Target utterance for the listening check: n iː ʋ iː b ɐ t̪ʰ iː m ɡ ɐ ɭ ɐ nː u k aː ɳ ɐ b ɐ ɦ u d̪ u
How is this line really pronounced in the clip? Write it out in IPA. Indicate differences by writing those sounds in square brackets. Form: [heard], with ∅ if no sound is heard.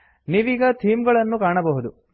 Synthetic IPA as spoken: n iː ʋ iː [ɡ] ɐ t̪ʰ iː m ɡ ɐ ɭ ɐ nː u k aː ɳ ɐ b ɐ ɦ u d̪ u